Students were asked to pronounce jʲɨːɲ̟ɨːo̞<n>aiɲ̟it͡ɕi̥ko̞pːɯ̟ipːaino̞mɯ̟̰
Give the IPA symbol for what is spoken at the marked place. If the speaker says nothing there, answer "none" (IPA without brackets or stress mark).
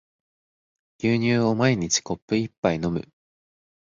m